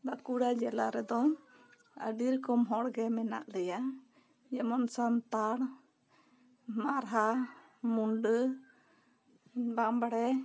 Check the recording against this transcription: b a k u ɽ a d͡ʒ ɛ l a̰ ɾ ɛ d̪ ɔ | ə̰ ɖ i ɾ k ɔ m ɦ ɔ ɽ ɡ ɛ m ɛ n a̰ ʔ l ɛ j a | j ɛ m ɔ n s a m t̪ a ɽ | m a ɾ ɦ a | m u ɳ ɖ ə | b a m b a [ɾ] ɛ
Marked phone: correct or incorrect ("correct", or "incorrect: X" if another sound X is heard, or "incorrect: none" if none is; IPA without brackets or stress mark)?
incorrect: ɽ